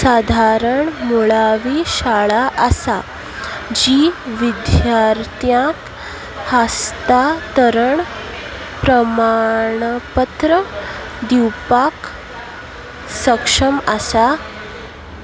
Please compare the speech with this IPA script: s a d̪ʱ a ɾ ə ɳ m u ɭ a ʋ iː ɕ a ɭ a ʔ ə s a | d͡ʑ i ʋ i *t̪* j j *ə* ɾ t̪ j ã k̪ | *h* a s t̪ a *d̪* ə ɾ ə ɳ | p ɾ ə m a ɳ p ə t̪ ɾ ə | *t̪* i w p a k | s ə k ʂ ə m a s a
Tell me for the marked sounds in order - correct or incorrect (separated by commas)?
incorrect, incorrect, correct, incorrect, incorrect